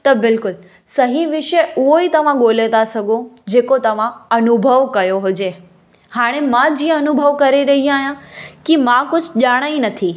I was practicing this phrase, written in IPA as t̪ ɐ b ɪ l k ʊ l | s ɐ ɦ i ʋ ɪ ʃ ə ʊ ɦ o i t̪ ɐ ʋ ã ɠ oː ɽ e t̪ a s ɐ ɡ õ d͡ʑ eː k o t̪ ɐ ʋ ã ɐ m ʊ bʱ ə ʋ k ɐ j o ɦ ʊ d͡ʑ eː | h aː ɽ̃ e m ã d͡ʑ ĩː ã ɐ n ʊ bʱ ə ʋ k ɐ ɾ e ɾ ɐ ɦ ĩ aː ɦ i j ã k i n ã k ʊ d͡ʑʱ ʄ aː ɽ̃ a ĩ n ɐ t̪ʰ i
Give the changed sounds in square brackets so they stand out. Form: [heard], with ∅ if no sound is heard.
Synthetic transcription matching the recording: t̪ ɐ b ɪ l k ʊ l | s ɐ ɦ i ʋ ɪ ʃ ə ʊ ɦ o i t̪ ɐ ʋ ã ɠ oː [l] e t̪ a s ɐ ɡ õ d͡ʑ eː k o t̪ ɐ ʋ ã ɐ [n] ʊ bʱ ə ʋ k ɐ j o ɦ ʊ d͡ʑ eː | h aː ɽ̃ e m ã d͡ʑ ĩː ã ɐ n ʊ bʱ ə ʋ k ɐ ɾ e ɾ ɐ ɦ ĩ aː ɦ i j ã k i [m] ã k ʊ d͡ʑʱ ʄ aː ɽ̃ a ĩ n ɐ t̪ʰ i